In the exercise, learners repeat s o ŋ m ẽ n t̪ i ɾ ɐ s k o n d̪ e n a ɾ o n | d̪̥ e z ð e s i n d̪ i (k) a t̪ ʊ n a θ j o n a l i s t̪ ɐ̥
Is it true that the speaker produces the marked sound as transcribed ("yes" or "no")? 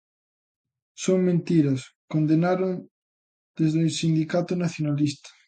yes